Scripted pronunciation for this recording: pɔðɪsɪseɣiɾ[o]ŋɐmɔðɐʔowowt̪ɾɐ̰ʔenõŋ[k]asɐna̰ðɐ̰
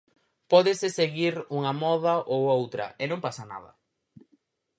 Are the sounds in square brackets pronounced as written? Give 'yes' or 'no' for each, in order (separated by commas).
no, no